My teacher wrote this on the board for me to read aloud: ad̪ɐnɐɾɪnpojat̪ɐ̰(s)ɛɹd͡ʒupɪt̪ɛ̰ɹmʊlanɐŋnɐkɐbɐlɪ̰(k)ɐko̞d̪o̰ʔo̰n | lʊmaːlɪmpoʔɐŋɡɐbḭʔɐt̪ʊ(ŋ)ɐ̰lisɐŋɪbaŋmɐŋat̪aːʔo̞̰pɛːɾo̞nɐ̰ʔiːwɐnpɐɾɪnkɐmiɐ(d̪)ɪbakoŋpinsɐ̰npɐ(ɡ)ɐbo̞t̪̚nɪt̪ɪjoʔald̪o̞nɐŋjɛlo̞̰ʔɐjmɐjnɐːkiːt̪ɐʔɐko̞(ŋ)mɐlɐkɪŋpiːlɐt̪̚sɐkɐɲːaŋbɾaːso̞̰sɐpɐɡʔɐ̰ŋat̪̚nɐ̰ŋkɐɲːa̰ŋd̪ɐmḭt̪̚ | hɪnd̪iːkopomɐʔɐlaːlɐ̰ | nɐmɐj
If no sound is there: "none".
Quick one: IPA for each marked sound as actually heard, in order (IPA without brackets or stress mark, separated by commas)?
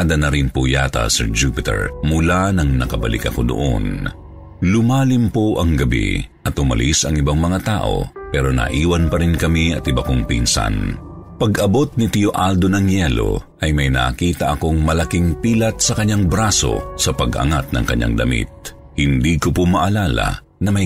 s, k, m, t̪, ɡ, ŋ